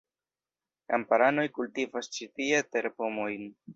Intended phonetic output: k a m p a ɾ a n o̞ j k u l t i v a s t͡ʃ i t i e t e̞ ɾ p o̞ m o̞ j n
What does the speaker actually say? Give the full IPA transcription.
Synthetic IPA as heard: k a m p a ɾ a n o̞ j k u l t i v a s t͡ʃ i t i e t e̞ ɾ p o̞ m o̞ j n